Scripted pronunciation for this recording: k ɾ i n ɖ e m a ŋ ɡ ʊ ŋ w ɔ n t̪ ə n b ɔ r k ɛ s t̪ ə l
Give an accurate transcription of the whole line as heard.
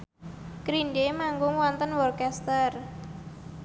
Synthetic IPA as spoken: k ɾ i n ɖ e m a ŋ ɡ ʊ ŋ w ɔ n t̪ ə n w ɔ r k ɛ s t̪ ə r